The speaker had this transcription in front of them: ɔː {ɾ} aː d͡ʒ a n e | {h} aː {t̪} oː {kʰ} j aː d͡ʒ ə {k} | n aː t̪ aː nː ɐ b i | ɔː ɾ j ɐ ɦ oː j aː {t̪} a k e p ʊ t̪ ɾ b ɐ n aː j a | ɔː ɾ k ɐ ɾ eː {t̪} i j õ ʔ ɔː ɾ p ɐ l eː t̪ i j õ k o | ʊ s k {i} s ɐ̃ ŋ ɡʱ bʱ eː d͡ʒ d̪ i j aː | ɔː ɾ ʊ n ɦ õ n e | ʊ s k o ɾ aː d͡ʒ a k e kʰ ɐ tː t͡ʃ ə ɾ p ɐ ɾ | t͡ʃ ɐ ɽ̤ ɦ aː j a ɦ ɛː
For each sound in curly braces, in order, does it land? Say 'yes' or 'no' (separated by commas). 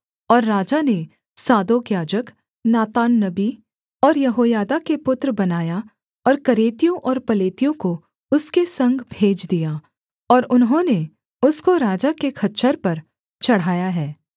no, no, no, no, yes, no, yes, no